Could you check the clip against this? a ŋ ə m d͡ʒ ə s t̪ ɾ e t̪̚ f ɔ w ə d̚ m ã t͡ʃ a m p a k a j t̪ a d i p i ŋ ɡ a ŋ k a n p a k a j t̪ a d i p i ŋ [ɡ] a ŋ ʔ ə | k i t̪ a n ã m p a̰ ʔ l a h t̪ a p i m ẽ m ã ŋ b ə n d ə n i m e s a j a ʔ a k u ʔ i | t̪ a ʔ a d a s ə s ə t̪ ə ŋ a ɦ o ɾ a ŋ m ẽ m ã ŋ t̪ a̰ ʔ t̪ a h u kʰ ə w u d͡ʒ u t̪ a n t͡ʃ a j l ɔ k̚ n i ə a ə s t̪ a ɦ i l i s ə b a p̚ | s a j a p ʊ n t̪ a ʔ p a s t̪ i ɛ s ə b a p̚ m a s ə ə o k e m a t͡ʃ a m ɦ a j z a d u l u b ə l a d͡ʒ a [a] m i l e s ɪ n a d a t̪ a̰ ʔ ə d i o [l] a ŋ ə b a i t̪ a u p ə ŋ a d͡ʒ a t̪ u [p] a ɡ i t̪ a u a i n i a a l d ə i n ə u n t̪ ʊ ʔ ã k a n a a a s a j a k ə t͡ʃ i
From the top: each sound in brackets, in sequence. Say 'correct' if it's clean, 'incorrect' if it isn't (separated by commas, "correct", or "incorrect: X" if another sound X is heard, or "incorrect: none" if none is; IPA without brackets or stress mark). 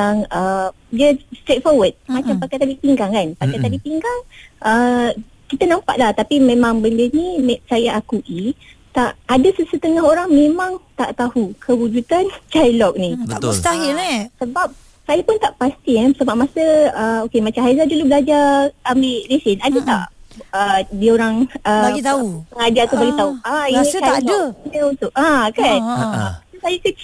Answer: correct, correct, incorrect: ɾ, incorrect: b